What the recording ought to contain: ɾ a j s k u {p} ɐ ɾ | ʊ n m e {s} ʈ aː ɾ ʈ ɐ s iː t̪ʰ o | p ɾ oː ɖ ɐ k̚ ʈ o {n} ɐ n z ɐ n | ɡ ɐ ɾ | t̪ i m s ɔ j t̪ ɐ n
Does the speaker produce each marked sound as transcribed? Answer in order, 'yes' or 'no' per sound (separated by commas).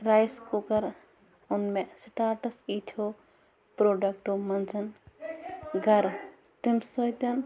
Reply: no, yes, no